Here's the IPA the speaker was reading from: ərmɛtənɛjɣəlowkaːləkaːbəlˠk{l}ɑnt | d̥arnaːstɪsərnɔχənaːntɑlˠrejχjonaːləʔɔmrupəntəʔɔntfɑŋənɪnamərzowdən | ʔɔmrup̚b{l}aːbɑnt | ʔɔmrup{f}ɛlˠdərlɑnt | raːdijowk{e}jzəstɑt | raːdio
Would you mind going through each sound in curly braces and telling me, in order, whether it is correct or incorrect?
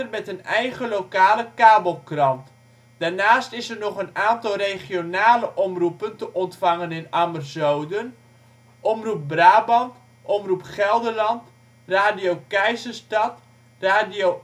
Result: incorrect: r, incorrect: r, incorrect: χ, incorrect: ɛ

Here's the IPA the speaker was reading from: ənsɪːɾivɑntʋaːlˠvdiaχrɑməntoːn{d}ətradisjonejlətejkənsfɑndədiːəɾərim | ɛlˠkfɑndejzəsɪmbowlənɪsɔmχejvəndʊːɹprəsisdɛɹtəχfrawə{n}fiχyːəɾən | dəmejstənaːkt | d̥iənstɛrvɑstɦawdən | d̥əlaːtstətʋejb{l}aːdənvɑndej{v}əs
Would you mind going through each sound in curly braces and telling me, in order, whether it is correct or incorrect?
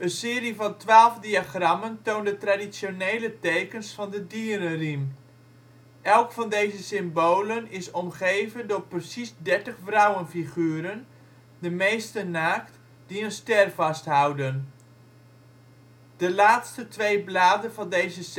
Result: correct, correct, correct, incorrect: z

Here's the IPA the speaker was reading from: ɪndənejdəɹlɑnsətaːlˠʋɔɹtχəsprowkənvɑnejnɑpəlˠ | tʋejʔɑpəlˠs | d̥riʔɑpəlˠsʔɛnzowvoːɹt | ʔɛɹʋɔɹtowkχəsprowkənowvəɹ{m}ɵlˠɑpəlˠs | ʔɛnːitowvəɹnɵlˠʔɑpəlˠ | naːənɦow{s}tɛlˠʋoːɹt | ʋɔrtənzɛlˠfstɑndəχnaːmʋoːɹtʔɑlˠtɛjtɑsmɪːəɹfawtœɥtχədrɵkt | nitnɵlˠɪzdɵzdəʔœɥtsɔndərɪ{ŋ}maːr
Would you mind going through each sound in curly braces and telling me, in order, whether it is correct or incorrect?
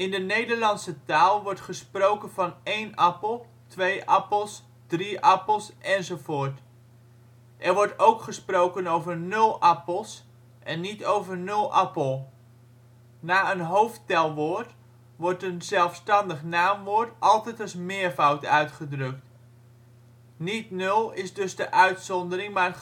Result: incorrect: n, incorrect: f, correct

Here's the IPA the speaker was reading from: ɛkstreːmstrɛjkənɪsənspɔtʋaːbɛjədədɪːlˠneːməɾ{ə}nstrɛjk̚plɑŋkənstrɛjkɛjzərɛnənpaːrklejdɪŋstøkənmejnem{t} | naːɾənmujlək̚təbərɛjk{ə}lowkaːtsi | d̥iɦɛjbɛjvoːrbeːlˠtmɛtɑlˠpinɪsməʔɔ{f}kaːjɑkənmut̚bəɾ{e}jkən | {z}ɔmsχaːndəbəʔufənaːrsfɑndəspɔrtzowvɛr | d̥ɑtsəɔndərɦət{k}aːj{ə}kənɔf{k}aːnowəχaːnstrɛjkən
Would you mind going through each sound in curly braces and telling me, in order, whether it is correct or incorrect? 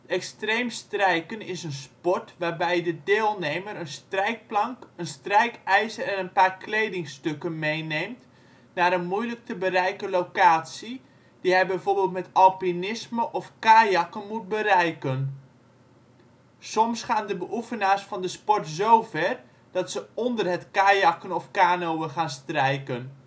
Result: correct, correct, correct, correct, incorrect: ɛ, incorrect: s, correct, incorrect: ɑ, correct

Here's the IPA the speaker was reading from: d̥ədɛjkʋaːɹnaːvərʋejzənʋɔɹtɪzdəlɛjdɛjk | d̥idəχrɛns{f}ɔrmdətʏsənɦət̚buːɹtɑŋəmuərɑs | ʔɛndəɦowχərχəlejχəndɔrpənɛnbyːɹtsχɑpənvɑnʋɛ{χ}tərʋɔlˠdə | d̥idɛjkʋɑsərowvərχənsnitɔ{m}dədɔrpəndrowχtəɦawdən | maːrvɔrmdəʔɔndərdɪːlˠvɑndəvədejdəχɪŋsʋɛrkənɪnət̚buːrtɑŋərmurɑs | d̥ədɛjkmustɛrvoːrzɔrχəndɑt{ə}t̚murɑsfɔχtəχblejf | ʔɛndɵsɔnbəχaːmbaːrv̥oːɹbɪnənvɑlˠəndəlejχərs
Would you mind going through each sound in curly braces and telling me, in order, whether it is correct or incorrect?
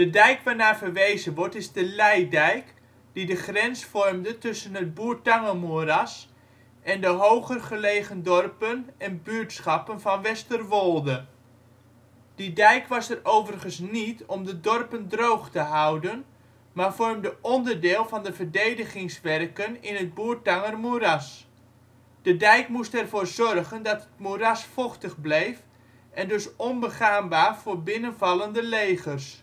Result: correct, incorrect: s, correct, correct

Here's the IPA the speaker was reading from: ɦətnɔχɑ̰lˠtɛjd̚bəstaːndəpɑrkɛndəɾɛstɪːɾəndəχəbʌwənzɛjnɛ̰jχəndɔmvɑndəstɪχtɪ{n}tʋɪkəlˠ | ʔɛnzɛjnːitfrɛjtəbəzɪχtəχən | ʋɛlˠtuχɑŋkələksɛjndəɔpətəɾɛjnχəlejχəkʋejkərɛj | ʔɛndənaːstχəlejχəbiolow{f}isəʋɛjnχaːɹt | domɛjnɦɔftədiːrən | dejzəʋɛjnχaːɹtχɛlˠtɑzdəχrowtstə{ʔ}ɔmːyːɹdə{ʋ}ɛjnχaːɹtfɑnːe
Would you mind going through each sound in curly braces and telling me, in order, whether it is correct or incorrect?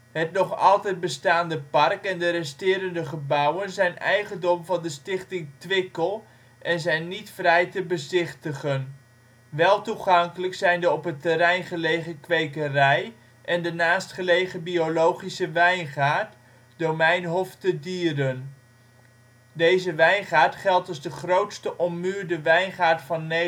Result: incorrect: ŋ, incorrect: χ, correct, correct

